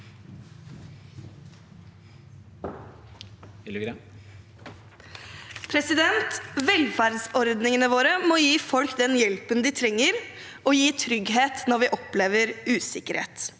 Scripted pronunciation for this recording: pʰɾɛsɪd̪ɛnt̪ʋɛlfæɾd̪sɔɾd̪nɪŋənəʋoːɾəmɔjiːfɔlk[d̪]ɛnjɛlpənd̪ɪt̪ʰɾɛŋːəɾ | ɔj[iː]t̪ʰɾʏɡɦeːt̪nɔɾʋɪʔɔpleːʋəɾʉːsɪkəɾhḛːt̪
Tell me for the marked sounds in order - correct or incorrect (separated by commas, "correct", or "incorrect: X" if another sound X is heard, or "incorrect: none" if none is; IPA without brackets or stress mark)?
correct, correct